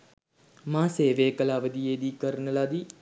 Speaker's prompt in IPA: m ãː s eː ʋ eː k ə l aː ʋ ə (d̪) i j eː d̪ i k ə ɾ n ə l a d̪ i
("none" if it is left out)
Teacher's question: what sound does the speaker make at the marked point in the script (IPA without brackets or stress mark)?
d̪